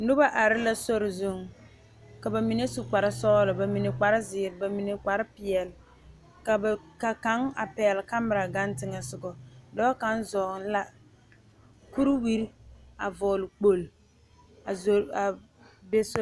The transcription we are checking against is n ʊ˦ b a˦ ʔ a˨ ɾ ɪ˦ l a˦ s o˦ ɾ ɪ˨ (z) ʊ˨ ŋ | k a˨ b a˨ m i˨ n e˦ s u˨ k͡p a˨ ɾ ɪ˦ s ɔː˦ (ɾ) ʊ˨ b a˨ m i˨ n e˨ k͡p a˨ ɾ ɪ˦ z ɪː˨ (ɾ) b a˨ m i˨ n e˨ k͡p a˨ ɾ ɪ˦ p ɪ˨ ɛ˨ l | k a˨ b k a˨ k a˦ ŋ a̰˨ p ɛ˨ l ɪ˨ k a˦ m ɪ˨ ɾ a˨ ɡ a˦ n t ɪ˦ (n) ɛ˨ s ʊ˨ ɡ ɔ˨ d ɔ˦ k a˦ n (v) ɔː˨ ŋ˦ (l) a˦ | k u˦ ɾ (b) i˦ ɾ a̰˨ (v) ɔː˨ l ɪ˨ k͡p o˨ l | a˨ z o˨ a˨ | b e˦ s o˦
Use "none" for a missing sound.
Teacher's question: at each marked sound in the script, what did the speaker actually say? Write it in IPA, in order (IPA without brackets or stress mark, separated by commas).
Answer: z, l, ɾ, ŋ, z, l, w, v